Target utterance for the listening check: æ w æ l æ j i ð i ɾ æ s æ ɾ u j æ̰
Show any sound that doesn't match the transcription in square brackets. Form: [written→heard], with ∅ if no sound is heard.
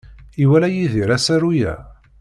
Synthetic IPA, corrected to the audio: [æ→i] w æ l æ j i ð i ɾ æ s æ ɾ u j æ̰